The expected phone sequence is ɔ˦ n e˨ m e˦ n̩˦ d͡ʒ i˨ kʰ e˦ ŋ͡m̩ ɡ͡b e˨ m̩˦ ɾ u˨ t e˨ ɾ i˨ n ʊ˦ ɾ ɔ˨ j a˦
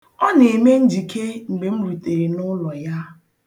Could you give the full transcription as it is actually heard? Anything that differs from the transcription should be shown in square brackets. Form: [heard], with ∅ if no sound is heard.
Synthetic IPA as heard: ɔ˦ n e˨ m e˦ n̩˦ d͡ʒ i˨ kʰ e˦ ŋ͡m̩ ɡ͡b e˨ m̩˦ ɾ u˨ t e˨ ɾ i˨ n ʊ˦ [l] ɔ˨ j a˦